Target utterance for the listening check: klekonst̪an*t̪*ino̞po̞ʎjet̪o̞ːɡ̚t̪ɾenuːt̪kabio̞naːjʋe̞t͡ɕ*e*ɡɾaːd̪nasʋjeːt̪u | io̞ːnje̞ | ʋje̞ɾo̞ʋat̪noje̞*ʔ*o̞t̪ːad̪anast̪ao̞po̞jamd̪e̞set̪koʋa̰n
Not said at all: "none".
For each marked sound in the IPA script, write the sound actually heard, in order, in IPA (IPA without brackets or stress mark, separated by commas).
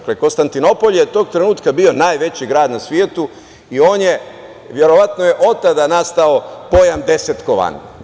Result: t̪, i, ʔ